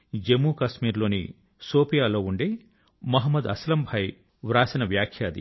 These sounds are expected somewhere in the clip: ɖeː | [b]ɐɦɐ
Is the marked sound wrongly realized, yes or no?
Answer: yes